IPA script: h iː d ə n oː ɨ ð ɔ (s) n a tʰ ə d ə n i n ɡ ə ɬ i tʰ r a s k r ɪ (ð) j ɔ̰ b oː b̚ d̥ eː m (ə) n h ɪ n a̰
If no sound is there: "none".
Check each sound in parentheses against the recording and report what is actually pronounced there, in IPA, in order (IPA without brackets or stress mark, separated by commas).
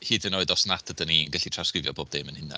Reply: s, v, ə